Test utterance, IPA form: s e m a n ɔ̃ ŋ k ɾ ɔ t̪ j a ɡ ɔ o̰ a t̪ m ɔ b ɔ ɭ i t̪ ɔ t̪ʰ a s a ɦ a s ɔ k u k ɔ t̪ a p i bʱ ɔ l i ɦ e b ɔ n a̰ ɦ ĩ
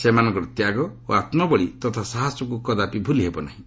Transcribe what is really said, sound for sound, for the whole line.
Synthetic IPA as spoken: s e m a n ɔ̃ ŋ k ɾ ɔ t̪ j a ɡ ɔ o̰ a t̪ m ɔ b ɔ ɭ i t̪ ɔ t̪ʰ a s a ɦ a s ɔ k u k ɔ d̪ a p i bʱ u l i ɦ e b ɔ n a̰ ɦ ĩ